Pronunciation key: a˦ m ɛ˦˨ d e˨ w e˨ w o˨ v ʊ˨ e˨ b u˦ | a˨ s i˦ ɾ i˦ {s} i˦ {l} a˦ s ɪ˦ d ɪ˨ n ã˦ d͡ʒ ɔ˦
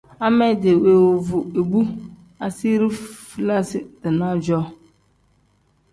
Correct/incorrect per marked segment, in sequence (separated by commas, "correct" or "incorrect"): incorrect, correct